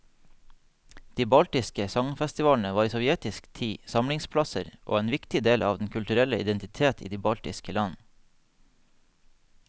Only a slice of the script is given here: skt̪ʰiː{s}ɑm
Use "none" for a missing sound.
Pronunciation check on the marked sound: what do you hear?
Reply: s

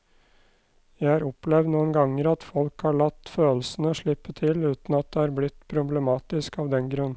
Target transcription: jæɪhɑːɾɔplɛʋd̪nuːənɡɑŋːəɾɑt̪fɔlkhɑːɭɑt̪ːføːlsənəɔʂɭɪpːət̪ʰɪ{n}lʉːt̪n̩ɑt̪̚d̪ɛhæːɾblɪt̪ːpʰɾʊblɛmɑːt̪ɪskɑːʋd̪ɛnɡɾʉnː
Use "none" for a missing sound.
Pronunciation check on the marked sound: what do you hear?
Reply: none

